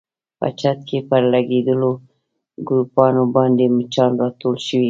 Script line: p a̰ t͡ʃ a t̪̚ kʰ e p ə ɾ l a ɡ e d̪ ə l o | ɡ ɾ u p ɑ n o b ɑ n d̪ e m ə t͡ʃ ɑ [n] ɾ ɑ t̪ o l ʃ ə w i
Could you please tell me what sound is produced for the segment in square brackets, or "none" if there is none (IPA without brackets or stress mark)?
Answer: n